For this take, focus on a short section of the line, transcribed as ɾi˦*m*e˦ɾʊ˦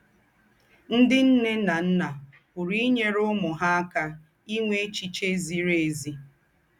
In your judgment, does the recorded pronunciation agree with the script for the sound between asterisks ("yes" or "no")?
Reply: no